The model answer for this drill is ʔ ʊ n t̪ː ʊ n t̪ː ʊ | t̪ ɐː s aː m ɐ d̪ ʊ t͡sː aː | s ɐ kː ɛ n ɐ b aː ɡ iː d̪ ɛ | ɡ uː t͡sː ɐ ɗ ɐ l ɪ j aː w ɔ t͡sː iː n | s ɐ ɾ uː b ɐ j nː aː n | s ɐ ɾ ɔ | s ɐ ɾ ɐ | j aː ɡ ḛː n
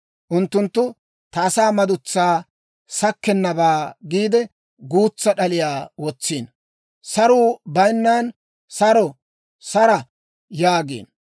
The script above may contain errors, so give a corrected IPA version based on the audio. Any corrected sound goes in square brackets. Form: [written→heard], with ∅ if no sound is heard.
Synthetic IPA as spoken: ʔ ʊ n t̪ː ʊ n t̪ː ʊ | t̪ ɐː s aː m ɐ d̪ ʊ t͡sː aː | s ɐ kː ɛ [n→nː] ɐ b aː ɡ iː d̪ ɛ | ɡ uː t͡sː ɐ ɗ ɐ l ɪ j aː w ɔ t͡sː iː n | s ɐ ɾ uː b ɐ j nː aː n | s ɐ ɾ ɔ | s ɐ ɾ ɐ | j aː ɡ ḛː n